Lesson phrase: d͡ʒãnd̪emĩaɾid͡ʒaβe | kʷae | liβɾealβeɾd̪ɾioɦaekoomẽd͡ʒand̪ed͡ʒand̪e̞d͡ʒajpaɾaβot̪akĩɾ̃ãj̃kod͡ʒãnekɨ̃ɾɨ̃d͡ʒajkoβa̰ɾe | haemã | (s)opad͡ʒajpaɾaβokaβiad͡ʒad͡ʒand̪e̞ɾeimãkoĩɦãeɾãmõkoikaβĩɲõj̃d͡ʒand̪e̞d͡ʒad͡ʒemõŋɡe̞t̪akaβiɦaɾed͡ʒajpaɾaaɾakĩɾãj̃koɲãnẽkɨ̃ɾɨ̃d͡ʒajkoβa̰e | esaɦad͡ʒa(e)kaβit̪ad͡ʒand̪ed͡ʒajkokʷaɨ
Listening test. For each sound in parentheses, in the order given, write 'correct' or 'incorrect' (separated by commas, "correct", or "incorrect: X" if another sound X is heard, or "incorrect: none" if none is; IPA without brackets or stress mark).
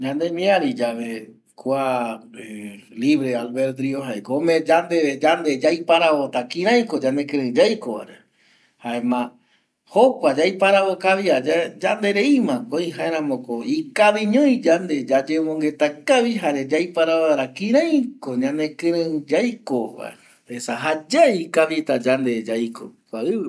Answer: incorrect: h, incorrect: i